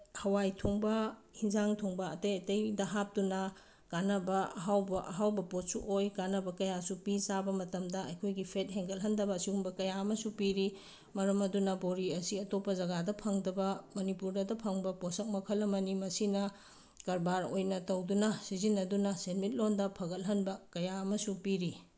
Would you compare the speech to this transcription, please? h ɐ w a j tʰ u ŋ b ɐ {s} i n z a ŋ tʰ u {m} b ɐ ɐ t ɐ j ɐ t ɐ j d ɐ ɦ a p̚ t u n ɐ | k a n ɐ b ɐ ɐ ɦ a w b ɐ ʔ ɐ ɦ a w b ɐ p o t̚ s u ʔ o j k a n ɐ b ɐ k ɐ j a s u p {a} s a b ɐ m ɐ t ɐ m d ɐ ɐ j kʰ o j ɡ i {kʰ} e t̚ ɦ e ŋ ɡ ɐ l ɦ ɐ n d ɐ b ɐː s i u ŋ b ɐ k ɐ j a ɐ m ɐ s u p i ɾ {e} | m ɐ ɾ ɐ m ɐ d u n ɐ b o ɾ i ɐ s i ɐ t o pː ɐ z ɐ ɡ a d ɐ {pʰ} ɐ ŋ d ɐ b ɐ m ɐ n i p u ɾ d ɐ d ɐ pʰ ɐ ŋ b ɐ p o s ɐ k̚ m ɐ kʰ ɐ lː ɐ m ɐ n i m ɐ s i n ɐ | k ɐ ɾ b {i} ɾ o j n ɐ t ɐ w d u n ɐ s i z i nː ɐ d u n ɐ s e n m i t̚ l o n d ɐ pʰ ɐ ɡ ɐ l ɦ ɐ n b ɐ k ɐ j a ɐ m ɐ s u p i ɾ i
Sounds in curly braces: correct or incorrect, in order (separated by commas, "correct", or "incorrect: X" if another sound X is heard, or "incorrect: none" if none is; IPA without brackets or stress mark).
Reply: incorrect: h, incorrect: ŋ, incorrect: i, incorrect: pʰ, incorrect: i, correct, incorrect: a